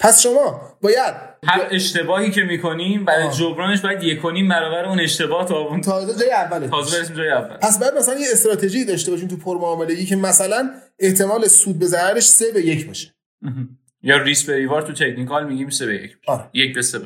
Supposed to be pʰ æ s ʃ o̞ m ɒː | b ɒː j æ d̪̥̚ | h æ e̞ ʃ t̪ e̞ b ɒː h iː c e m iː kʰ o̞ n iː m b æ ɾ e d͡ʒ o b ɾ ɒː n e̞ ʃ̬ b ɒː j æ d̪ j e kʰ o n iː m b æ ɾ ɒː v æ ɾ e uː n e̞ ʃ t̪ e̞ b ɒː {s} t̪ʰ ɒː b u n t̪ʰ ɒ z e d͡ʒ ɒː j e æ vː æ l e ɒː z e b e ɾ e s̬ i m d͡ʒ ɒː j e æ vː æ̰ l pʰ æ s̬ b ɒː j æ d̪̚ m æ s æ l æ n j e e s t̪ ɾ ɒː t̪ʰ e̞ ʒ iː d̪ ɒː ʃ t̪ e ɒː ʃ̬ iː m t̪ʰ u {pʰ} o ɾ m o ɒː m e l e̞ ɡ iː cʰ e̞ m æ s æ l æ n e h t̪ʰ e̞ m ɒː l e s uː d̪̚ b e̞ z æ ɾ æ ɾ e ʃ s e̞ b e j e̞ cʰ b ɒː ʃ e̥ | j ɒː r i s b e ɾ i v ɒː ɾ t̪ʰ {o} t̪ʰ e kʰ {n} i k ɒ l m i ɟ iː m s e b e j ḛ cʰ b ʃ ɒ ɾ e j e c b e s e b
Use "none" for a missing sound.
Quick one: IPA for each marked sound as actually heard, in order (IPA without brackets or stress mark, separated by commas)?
h, pʰ, u, n